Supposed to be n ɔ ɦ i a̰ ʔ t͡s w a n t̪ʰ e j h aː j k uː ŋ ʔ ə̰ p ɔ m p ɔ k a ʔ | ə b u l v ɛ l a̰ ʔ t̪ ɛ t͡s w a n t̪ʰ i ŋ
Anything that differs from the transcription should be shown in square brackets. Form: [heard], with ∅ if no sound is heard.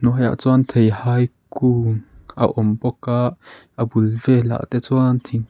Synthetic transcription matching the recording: n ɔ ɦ [j] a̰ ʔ t͡s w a n t̪ʰ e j h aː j k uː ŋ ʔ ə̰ [ʔ] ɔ m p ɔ k a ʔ | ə b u l v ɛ l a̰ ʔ t̪ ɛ t͡s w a n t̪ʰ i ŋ